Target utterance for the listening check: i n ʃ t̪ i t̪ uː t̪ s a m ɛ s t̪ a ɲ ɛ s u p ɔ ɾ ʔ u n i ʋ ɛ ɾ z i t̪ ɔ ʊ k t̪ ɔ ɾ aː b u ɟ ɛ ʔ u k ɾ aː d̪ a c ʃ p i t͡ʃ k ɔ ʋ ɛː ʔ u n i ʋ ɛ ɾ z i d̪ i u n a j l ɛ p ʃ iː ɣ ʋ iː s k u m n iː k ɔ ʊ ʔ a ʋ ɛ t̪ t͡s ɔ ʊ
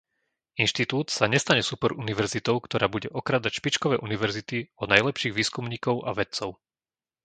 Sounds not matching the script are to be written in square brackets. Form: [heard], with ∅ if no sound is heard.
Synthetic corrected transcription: i n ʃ t̪ i t̪ uː t̪ s a [ɲ] ɛ s t̪ a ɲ ɛ s u p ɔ ɾ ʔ u n i ʋ ɛ ɾ z i t̪ ɔ ʊ k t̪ ɔ ɾ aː b u ɟ ɛ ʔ [ɔ] k ɾ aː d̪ a c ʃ p i t͡ʃ k ɔ ʋ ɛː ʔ u n i ʋ ɛ ɾ z i [t̪] i [ɔ] n a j l ɛ p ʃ iː ɣ ʋ iː s k u m [ɲ] iː k ɔ ʊ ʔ a ʋ ɛ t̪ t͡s ɔ ʊ